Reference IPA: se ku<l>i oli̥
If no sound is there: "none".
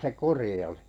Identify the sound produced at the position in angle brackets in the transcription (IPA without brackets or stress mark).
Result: r